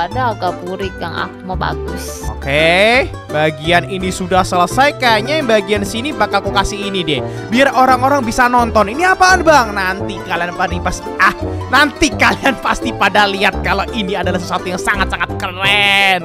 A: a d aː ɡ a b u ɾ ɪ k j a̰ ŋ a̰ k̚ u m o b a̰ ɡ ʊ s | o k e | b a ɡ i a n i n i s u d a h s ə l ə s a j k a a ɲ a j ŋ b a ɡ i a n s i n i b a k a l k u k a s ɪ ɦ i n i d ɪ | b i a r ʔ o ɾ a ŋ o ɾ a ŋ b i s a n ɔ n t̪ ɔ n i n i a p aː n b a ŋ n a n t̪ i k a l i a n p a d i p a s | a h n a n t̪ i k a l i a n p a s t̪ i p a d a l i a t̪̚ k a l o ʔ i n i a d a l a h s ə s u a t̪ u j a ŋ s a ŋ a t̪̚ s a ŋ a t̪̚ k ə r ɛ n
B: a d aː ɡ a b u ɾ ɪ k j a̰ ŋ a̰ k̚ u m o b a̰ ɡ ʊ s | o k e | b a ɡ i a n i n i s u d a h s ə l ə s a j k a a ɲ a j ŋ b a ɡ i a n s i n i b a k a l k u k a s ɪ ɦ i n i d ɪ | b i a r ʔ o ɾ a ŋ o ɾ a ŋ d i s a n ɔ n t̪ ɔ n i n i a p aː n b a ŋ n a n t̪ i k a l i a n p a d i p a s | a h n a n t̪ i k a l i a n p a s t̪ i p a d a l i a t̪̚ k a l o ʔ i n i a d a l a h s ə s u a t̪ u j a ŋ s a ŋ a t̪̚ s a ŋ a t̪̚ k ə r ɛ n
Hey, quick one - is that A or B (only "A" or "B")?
A